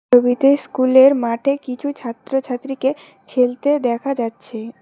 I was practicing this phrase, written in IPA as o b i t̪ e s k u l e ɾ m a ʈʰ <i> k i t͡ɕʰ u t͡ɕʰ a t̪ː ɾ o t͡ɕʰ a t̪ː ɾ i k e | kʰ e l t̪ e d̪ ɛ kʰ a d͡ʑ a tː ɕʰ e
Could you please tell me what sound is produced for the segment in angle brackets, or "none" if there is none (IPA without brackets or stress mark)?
e